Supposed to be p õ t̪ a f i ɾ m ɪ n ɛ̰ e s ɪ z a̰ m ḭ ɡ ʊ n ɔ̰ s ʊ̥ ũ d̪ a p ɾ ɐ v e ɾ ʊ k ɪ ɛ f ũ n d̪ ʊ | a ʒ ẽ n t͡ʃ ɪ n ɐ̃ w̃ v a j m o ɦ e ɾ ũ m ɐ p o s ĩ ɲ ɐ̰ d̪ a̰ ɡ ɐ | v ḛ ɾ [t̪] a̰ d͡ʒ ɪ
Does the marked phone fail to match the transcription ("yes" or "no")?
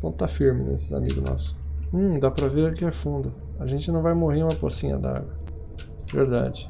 yes